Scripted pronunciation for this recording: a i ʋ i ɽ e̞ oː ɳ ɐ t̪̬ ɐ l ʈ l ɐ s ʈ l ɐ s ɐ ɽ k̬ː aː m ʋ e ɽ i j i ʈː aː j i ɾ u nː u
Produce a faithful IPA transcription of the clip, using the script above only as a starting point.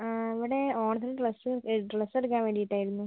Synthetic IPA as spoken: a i ʋ i ɽ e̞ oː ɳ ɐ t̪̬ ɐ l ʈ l ɐ s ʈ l ɐ s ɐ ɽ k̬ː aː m ʋ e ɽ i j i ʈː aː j i ɾ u nː u